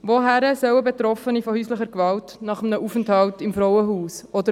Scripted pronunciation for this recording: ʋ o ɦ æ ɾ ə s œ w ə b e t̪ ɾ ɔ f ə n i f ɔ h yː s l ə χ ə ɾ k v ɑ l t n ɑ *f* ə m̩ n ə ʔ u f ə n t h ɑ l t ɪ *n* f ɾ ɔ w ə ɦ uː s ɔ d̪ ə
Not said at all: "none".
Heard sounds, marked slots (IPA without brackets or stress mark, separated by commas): χ, m